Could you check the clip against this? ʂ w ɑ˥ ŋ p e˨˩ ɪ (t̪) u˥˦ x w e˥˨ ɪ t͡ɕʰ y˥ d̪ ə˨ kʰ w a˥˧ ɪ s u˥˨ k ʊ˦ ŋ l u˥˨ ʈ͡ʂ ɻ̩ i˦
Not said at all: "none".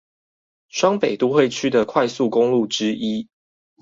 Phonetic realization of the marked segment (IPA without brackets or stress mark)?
t̪